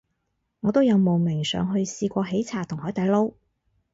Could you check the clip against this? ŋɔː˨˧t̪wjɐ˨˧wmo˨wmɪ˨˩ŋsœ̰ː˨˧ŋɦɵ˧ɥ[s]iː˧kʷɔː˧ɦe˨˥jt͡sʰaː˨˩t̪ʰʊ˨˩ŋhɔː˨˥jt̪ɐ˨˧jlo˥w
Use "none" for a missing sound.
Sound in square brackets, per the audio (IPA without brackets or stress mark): s